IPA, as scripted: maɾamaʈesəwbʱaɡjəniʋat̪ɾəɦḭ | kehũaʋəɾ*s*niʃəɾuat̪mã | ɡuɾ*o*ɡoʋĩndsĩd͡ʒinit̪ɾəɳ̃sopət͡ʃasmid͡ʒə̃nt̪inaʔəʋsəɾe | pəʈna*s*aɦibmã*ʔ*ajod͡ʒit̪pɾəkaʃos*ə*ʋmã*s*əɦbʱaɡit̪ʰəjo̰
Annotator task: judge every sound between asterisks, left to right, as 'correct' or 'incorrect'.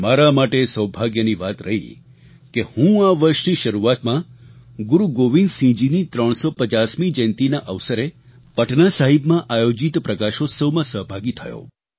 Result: incorrect, incorrect, correct, correct, correct, correct

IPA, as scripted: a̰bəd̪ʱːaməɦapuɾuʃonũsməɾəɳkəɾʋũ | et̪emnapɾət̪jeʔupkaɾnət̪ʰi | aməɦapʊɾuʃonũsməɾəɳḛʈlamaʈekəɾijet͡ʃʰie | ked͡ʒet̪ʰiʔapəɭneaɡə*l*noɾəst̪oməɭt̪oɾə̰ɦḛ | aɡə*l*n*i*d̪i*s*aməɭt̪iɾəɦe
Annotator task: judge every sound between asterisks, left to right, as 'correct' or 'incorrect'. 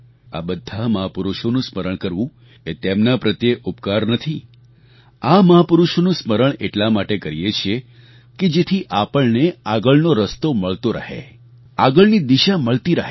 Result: incorrect, incorrect, correct, incorrect

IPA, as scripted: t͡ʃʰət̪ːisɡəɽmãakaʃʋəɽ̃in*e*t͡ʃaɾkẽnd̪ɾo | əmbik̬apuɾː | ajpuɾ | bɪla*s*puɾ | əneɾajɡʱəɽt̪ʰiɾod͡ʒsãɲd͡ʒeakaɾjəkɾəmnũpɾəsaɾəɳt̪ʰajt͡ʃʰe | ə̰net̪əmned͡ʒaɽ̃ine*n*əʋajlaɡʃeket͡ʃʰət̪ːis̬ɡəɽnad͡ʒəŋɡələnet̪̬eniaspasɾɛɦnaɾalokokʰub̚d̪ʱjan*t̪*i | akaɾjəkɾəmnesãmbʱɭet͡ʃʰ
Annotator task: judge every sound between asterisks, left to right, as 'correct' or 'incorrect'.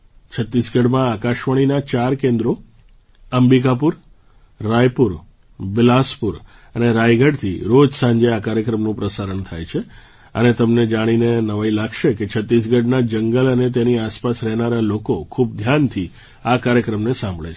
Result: incorrect, correct, correct, incorrect

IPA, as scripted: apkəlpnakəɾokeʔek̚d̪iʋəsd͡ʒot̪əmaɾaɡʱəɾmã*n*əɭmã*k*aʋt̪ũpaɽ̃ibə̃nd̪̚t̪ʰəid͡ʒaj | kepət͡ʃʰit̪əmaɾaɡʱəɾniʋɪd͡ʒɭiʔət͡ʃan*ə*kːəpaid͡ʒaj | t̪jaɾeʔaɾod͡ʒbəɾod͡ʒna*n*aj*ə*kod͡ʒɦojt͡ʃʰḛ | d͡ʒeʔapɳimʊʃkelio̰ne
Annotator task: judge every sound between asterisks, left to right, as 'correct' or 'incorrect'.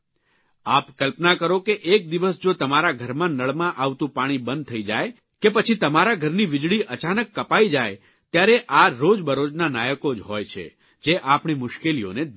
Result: correct, incorrect, correct, correct, correct

